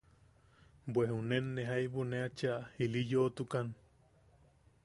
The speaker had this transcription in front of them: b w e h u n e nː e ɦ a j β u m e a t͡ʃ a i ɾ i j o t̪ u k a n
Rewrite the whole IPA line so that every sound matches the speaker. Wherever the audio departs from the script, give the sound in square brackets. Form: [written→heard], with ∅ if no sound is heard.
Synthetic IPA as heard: b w e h u n e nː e ɦ a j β u [m→n] e a t͡ʃ a i [ɾ→l] i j o t̪ u k a n